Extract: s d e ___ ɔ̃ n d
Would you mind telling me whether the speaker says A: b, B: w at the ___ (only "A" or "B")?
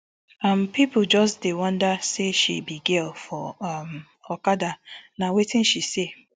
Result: B